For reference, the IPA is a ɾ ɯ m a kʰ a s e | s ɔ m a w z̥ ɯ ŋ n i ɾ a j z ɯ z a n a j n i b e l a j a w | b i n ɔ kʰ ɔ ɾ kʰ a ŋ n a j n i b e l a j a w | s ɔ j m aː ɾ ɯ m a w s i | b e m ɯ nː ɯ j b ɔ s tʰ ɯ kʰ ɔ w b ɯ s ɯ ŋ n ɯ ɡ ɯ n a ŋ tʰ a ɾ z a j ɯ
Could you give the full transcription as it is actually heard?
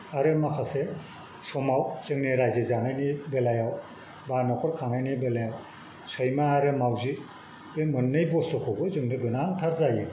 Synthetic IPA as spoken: a ɾ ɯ m a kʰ a s e | s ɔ m a w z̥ ɯ ŋ n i ɾ a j z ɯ z a n a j n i b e l a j a w | b a n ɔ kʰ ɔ ɾ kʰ a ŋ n a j n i b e l a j a w | s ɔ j m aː ɾ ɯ m a w z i | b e m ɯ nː ɯ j b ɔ s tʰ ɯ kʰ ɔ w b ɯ z ɯ ŋ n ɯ ɡ ɯ n a ŋ tʰ a ɾ z a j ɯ

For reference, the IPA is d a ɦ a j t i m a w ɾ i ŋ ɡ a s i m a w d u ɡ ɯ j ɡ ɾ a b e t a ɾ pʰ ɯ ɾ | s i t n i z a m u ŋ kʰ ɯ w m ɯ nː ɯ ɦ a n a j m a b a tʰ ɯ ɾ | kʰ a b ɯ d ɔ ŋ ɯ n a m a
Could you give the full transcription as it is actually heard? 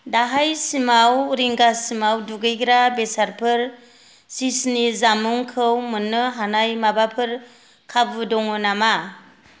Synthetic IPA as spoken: d a ɦ a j s i m a w ɾ i ŋ ɡ a s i m a w d u ɡ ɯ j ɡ ɾ a b e s a ɾ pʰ ɯ ɾ | s i s n i z a m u ŋ kʰ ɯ w m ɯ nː ɯ ɦ a n a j m a b a pʰ ɯ ɾ | kʰ a b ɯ d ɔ ŋ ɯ n a m a

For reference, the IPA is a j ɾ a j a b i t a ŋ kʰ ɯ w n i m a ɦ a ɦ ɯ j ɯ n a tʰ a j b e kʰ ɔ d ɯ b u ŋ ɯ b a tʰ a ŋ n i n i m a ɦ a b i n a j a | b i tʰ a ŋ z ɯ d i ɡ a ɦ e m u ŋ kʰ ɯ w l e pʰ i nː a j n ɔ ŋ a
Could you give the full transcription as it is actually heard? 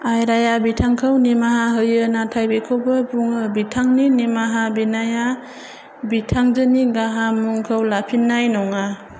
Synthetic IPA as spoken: a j ɾ a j a b i tʰ a ŋ kʰ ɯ w n i m a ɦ a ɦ ɯ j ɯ n a tʰ a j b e kʰ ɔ b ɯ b u ŋ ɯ b i tʰ a ŋ n i n i m a ɦ a b i n a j a | b i tʰ a ŋ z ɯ n i ɡ a ɦ a m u ŋ kʰ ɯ w l a pʰ i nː a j n ɔ ŋ a

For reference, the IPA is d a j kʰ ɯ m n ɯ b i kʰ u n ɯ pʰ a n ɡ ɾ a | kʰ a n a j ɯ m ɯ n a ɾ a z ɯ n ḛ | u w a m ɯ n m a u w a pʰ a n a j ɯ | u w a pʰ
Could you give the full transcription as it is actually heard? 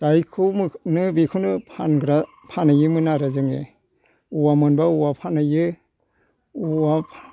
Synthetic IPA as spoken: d a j kʰ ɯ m n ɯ b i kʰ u n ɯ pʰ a n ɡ ɾ a | pʰ a n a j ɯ m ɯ n a ɾ a z ɯ ŋ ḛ | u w a m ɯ n b a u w a pʰ a n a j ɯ | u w a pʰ

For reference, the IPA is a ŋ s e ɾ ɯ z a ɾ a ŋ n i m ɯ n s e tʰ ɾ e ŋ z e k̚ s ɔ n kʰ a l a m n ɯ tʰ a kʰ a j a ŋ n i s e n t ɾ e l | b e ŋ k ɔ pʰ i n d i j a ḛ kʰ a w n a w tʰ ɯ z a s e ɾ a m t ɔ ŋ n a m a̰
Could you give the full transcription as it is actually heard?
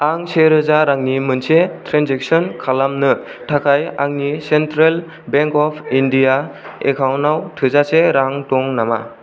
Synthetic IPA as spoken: a ŋ s e ɾ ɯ z a ɾ a ŋ n i m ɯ n s e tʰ ɾ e n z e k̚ s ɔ n kʰ a l a m n ɯ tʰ a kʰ a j a ŋ n i s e n t ɾ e l | b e ŋ k ɔ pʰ i n d i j a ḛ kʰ a w n a w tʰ ɯ z a s e ɾ a ŋ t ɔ ŋ n a m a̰

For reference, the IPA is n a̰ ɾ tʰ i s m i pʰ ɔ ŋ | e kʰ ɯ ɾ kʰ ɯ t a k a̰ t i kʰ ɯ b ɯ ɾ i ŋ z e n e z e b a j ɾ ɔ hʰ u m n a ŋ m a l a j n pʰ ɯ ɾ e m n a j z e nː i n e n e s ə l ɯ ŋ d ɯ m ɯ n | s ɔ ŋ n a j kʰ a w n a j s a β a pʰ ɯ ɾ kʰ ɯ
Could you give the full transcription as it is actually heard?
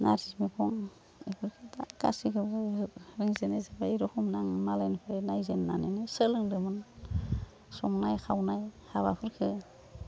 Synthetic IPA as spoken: n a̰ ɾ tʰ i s m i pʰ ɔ ŋ | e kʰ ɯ ɾ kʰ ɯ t a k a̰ s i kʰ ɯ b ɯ ɾ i ŋ z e n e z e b a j ɾ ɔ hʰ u m n a ŋ m a l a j n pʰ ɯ ɾ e n a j z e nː a n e n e s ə l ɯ ŋ d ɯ m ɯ n | s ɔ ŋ n a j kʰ a w n a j h a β a pʰ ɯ ɾ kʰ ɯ

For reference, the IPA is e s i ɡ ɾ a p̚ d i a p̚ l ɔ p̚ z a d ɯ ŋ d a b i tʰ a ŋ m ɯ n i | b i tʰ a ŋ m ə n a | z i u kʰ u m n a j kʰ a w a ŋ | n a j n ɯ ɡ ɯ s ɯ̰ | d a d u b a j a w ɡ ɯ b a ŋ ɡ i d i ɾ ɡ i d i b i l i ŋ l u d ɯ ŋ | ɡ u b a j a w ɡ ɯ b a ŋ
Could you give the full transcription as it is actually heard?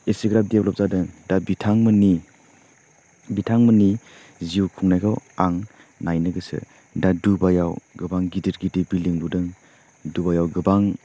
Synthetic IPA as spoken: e s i ɡ ɾ a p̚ d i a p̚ l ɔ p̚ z a d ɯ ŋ d a b i tʰ a ŋ m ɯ n i | b i tʰ a ŋ m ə n i | z i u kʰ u ŋ n a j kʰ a w a ŋ | n a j n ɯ ɡ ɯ s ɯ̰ | d a d u b a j a w ɡ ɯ b a ŋ ɡ i d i ɾ ɡ i d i b i l i ŋ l u d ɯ ŋ | d u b a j a w ɡ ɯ b a ŋ

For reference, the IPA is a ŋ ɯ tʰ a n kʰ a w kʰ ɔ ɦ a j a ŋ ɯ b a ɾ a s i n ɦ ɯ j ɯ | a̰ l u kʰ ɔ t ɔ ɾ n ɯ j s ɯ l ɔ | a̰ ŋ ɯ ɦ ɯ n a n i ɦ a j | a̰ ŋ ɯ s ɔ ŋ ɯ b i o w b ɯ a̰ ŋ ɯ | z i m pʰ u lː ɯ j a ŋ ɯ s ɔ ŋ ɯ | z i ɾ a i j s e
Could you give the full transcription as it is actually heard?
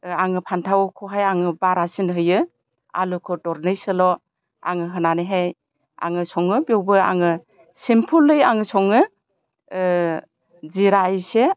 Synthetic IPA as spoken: a ŋ ɯ pʰ a n tʰ a w kʰ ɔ ɦ a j a ŋ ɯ b a ɾ a s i n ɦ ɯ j ɯ | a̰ l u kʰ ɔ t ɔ ɾ n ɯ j s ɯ l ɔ | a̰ ŋ ɯ ɦ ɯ n a n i ɦ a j | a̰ ŋ ɯ s ɔ ŋ ɯ b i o w b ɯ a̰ ŋ ɯ | s i m pʰ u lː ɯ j a ŋ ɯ s ɔ ŋ ɯ | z i ɾ a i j s e

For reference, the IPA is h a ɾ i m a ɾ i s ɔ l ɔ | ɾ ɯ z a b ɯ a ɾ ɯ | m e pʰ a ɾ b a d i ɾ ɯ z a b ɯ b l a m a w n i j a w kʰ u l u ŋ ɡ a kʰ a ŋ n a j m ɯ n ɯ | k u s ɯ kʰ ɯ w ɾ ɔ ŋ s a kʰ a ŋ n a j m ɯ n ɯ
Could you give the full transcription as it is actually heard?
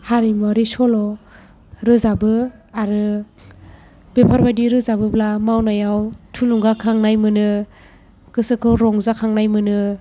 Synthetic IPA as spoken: h a ɾ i m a ɾ i s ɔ l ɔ | ɾ ɯ z a b ɯ a ɾ ɯ | b e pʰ a ɾ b a d i ɾ ɯ z a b ɯ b l a m a w n a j a w tʰ u l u ŋ ɡ a kʰ a ŋ n a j m ɯ n ɯ | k ɯ s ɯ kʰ ɯ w ɾ ɔ ŋ z a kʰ a ŋ n a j m ɯ n ɯ

